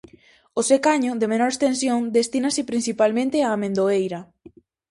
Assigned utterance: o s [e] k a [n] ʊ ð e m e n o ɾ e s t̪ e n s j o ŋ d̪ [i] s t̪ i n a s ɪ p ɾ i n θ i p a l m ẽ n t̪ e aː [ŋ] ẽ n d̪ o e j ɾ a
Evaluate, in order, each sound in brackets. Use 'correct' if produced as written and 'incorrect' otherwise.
correct, incorrect, incorrect, incorrect

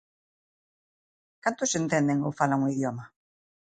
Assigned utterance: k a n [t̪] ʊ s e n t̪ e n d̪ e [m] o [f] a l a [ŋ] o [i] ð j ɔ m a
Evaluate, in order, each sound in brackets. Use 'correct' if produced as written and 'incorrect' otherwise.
correct, incorrect, correct, correct, correct

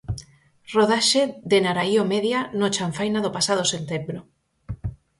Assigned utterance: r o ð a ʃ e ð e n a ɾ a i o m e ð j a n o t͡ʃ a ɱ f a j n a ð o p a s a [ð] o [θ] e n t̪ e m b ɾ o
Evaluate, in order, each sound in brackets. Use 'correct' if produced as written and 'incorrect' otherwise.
correct, incorrect

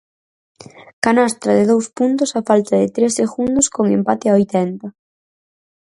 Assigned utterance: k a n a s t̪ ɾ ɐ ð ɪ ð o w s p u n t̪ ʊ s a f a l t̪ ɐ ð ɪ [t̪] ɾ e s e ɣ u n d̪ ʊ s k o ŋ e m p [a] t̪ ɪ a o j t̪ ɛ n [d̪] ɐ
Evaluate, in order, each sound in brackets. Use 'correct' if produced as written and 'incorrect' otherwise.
correct, correct, incorrect

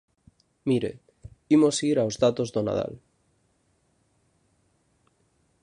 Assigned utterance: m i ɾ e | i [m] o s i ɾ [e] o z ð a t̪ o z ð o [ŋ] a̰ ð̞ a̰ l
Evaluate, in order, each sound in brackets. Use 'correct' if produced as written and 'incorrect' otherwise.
correct, incorrect, incorrect

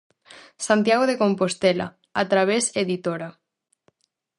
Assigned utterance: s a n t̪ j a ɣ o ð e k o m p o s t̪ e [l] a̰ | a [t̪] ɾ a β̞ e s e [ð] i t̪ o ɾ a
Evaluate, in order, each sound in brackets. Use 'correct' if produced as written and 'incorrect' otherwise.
correct, correct, correct

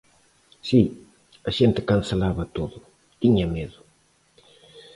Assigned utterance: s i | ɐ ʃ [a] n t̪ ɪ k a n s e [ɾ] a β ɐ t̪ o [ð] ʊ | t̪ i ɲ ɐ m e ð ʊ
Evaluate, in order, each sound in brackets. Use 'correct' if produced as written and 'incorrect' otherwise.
incorrect, incorrect, correct

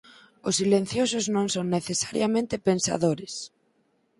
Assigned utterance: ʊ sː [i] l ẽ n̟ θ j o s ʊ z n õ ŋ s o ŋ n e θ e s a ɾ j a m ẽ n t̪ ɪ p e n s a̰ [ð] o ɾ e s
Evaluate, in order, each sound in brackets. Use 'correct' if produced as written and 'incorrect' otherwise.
correct, correct

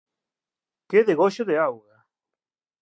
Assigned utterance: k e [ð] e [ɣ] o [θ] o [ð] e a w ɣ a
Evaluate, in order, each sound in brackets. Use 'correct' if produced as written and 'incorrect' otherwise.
correct, correct, incorrect, correct

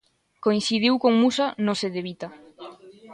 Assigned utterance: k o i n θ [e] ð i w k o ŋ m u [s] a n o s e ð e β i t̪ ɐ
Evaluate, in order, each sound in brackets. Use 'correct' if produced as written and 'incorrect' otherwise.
incorrect, correct

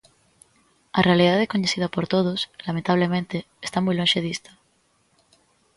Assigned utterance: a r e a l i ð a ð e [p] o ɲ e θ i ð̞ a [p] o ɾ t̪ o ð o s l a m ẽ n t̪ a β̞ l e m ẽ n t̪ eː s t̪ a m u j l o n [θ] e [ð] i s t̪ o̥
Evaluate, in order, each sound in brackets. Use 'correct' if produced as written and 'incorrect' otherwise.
incorrect, correct, incorrect, correct

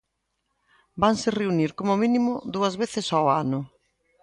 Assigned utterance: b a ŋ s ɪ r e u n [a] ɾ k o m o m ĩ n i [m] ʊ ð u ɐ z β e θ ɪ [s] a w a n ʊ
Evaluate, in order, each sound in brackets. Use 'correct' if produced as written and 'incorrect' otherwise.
incorrect, correct, correct

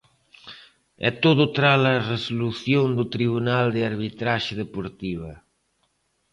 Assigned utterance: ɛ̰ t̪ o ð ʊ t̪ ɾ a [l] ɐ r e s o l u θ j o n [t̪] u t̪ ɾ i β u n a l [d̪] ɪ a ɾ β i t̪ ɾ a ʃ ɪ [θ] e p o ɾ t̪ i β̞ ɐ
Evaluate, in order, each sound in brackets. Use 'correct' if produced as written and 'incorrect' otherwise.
correct, incorrect, correct, incorrect

